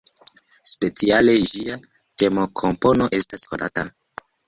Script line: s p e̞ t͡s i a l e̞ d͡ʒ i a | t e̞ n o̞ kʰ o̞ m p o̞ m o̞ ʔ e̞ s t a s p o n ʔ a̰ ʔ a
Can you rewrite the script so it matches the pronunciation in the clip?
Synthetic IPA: s p e̞ t͡s i a l e̞ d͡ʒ i a | t e̞ m o̞ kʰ o̞ m p o̞ n o̞ ʔ e̞ s t a s k o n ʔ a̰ t a